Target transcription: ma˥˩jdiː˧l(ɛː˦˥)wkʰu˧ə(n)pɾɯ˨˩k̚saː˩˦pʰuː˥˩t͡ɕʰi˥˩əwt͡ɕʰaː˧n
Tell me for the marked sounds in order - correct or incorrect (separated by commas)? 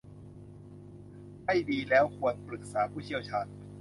correct, correct